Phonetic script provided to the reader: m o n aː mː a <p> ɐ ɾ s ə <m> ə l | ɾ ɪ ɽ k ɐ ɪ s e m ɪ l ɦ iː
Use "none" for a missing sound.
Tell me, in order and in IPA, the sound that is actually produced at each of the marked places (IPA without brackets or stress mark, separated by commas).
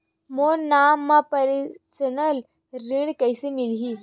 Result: p, n